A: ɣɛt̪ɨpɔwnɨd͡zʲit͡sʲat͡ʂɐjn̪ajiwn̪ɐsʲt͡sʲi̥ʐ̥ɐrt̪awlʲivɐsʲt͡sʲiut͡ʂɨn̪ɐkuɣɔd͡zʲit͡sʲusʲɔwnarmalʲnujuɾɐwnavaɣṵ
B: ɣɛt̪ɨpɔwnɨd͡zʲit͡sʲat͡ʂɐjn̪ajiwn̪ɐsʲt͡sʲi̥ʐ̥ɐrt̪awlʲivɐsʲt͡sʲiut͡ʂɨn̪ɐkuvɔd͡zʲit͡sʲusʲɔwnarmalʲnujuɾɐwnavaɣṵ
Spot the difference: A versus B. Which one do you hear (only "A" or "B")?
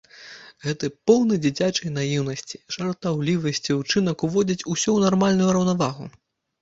B